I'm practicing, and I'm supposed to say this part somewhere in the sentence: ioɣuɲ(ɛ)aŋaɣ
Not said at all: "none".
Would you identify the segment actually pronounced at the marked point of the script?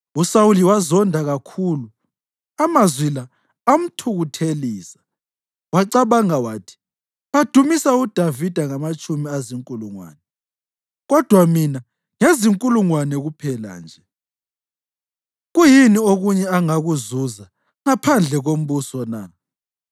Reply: ɛ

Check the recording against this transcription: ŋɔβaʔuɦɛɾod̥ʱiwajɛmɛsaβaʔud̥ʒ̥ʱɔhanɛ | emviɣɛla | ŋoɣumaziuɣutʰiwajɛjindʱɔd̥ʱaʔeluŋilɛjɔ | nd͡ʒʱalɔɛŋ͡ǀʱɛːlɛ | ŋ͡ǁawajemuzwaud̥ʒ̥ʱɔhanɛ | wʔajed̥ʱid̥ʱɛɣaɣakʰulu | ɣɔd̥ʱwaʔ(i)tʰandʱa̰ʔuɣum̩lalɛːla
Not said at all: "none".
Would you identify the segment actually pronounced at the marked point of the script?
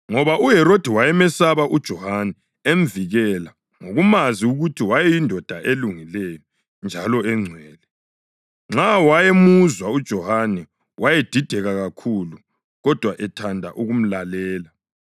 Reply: ɛ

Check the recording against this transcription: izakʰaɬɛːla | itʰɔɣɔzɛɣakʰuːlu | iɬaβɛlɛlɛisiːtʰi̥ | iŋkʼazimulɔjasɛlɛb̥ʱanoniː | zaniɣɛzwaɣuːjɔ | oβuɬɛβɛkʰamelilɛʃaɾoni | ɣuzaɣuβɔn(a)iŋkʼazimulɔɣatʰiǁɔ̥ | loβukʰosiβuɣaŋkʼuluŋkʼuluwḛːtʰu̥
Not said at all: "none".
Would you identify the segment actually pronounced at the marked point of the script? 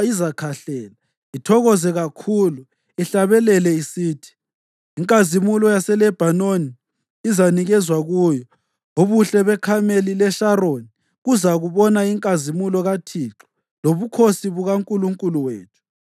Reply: a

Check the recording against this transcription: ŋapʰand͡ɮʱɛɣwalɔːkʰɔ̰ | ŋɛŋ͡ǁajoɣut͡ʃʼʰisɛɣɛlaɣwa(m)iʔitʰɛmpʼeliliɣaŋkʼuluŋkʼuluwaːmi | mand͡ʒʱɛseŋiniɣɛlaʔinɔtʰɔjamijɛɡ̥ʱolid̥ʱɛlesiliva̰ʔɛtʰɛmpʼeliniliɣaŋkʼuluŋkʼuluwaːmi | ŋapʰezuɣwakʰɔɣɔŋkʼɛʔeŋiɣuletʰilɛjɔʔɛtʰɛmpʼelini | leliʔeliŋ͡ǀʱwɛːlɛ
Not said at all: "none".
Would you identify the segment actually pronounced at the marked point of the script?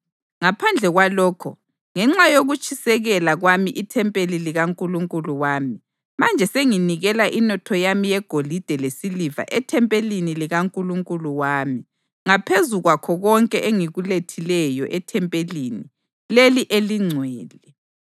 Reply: m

